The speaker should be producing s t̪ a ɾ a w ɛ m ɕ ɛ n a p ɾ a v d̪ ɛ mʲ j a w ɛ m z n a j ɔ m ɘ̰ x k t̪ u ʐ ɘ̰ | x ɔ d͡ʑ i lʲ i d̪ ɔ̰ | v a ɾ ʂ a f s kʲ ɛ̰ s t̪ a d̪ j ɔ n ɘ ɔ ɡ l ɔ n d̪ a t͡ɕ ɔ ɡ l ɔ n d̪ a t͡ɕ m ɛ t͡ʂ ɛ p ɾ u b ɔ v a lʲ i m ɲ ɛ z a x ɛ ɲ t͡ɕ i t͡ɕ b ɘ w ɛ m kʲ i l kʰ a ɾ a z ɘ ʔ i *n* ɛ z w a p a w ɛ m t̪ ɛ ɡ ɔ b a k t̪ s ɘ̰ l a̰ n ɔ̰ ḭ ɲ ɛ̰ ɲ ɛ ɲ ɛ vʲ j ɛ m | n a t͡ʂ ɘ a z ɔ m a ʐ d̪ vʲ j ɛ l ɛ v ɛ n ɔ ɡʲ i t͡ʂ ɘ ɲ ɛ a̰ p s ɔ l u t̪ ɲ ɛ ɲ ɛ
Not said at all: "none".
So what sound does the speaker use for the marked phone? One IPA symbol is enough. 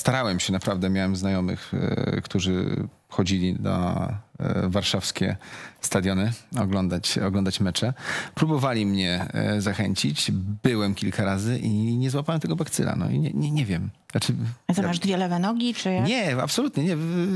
ɲ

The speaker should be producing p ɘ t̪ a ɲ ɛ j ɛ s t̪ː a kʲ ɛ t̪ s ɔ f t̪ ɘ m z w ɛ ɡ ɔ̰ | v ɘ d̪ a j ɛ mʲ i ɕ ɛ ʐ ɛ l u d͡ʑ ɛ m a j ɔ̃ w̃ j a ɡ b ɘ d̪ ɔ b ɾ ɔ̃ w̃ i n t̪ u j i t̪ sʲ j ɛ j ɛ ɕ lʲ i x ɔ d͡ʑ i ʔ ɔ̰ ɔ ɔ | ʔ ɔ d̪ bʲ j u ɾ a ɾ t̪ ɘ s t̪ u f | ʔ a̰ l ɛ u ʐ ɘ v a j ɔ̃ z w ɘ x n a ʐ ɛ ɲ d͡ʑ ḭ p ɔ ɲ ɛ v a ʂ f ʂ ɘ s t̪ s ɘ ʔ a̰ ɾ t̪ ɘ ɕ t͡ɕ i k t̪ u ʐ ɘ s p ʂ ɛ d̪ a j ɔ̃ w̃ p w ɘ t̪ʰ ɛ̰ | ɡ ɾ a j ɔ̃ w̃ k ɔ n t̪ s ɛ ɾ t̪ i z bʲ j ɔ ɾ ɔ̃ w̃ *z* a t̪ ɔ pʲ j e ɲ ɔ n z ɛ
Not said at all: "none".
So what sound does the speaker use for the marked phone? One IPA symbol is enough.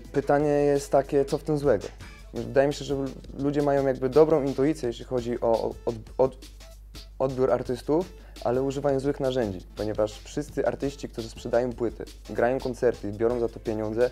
z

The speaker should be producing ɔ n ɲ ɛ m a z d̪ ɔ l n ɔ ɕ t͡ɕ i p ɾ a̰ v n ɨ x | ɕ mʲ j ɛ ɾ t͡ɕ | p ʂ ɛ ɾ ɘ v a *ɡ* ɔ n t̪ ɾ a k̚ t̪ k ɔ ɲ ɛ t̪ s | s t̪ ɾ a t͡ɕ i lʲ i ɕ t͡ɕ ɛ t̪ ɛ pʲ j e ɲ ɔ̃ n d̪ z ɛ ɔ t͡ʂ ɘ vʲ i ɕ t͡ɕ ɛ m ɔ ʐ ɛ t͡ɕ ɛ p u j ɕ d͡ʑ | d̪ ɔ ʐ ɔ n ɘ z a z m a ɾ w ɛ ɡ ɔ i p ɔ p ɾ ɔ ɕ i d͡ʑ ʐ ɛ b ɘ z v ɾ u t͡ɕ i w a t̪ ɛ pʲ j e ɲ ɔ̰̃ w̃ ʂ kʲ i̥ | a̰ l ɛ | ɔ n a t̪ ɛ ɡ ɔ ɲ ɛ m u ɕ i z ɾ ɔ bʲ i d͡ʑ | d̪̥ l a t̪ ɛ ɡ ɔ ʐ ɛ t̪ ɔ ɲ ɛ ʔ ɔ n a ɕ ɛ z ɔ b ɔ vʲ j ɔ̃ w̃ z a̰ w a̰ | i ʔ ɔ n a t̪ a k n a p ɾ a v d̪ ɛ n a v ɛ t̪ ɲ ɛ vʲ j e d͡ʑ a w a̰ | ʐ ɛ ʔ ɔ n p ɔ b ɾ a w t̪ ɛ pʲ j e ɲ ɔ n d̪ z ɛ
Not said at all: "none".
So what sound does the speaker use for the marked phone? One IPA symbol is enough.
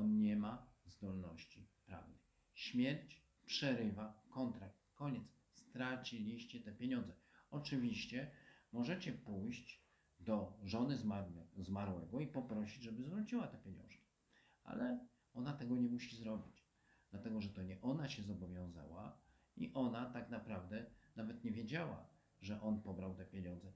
k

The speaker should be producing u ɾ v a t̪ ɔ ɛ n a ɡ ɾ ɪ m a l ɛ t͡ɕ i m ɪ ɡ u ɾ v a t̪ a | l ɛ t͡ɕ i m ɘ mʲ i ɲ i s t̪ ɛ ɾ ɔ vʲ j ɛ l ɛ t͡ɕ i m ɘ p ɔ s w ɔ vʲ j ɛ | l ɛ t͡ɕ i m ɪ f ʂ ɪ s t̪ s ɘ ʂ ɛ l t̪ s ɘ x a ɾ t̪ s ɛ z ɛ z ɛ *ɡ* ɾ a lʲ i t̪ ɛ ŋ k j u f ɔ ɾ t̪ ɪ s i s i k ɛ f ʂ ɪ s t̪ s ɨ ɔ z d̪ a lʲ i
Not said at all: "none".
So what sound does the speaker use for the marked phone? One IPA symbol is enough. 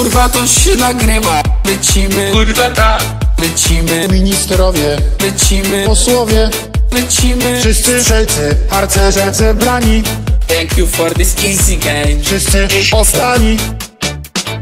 b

